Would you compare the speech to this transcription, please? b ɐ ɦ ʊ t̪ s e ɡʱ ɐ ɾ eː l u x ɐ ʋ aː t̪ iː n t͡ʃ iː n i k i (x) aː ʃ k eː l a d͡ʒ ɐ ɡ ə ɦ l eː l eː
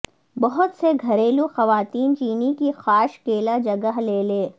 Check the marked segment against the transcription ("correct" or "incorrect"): correct